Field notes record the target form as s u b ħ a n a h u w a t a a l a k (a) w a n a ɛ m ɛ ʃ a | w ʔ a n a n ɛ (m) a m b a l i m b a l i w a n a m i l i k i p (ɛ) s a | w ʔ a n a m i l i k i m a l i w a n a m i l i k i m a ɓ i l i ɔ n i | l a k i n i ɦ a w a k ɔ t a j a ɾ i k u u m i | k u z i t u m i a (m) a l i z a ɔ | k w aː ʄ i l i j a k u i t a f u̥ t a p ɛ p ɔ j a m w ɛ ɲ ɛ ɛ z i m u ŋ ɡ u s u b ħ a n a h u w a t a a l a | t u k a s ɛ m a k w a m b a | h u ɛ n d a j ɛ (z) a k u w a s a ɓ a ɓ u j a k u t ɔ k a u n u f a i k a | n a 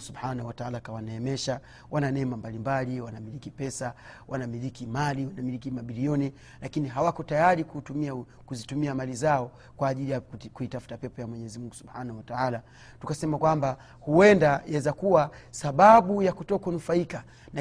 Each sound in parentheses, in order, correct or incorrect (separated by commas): correct, correct, correct, correct, correct